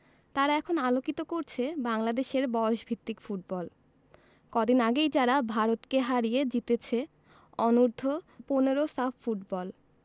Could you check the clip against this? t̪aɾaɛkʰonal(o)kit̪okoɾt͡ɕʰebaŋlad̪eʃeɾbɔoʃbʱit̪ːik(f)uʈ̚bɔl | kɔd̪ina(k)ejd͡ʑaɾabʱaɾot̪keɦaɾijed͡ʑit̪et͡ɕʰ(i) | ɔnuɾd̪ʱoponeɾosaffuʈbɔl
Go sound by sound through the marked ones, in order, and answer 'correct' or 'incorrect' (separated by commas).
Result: correct, correct, incorrect, incorrect